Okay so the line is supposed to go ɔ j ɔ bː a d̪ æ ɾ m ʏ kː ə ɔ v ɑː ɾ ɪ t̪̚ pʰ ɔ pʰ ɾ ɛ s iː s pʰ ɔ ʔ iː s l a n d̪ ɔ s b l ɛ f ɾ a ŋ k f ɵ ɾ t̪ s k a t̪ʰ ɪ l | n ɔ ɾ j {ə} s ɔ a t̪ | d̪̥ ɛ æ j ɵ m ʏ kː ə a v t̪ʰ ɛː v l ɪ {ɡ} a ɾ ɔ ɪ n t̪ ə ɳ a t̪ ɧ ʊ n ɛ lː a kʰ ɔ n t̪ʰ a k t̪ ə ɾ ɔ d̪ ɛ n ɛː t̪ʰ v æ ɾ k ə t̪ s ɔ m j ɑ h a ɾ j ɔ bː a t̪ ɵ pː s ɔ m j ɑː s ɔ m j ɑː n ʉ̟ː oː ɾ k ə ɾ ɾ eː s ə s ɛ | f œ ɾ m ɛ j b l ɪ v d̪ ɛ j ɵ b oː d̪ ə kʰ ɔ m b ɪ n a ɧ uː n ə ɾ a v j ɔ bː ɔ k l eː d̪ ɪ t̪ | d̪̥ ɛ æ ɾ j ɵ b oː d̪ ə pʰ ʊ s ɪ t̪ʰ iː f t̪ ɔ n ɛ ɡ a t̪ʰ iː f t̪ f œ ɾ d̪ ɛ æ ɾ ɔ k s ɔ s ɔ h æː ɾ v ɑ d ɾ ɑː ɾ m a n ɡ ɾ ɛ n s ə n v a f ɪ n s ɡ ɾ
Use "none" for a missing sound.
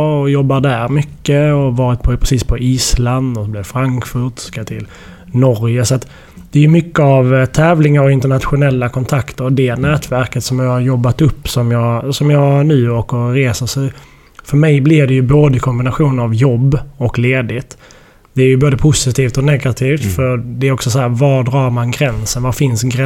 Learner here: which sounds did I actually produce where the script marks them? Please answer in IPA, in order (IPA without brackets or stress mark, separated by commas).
ə, ŋ